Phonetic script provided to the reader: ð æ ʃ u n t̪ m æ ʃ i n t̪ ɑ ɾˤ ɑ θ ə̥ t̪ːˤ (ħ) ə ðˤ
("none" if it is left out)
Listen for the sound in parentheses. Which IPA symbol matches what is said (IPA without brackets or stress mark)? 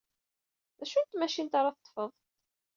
f